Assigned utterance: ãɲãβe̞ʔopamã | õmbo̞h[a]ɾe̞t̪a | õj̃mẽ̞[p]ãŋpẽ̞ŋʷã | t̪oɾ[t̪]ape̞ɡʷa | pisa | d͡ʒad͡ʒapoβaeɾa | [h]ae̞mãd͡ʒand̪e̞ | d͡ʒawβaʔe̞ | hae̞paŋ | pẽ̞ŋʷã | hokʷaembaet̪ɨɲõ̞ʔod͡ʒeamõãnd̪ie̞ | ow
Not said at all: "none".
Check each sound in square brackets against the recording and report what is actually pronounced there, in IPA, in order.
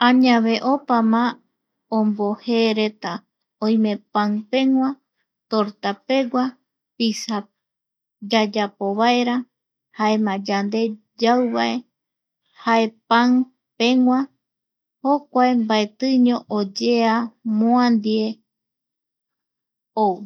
e, p, t̪, h

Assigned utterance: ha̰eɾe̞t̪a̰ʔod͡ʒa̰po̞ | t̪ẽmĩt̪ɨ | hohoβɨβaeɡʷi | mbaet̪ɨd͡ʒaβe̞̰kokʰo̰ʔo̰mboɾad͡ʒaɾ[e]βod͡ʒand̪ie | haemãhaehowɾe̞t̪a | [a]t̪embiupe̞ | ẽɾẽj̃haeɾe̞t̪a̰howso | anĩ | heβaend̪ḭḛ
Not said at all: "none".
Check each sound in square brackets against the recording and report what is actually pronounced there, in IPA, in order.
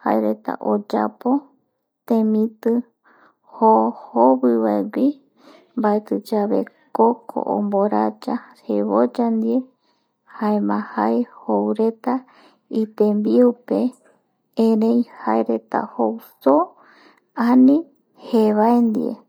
e, i

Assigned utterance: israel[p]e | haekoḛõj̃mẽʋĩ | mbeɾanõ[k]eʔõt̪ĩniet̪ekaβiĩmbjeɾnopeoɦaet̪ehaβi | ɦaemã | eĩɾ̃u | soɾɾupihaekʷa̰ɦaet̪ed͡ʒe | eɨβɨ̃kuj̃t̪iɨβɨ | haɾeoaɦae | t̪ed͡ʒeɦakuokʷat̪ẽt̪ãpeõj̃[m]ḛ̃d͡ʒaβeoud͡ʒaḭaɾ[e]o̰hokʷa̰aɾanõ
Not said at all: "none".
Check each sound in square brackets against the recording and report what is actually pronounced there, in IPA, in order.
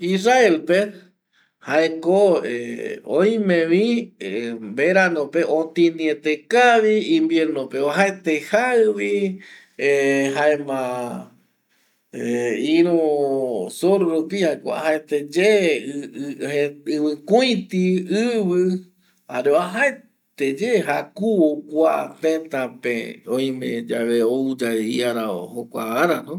p, p, m, a

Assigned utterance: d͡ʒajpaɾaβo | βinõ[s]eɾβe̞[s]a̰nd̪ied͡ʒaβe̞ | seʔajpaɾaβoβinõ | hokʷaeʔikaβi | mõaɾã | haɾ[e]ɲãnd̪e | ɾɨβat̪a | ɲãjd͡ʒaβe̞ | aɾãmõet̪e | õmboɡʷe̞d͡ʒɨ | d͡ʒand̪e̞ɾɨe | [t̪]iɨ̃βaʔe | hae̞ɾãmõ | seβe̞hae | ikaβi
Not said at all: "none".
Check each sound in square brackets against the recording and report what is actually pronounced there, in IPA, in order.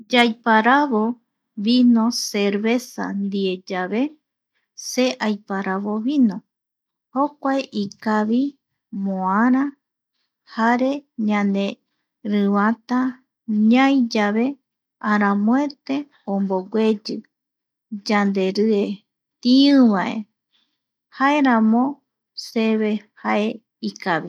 s, s, e, t̪

